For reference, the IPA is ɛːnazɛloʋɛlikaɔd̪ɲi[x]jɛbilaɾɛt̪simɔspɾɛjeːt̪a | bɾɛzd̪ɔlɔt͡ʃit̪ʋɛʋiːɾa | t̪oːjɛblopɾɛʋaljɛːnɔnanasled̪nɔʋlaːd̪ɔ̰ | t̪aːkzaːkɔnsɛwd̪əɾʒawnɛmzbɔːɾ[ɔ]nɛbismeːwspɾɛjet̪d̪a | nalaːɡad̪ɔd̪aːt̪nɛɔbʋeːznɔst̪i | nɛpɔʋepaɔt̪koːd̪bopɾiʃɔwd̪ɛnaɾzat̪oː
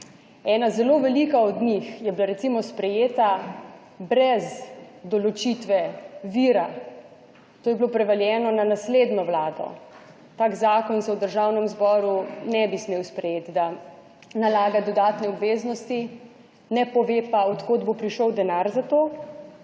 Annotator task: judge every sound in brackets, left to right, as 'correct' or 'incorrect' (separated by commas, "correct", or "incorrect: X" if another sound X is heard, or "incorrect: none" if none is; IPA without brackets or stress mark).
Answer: correct, incorrect: u